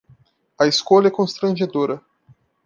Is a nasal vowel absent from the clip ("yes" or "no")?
no